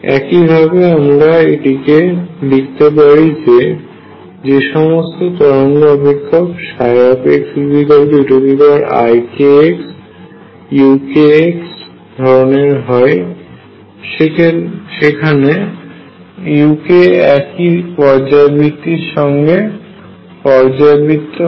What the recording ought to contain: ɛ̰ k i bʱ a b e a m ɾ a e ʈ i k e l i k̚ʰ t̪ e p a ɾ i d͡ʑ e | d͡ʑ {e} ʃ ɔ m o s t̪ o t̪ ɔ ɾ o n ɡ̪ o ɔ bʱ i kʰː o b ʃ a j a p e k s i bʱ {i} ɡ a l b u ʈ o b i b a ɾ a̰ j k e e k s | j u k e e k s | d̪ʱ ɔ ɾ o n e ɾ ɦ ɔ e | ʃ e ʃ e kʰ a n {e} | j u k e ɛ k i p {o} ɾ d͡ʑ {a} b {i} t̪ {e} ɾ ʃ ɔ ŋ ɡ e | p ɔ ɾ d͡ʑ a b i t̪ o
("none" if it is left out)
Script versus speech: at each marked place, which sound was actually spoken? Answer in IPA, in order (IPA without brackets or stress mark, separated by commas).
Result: e, i, e, ɔ, a, i, i